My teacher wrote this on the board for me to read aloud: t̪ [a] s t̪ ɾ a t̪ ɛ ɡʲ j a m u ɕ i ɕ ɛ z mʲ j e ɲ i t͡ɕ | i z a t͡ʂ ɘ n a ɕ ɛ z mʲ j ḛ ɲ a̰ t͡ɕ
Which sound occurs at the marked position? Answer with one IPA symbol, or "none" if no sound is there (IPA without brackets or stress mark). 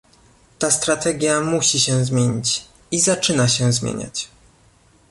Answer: a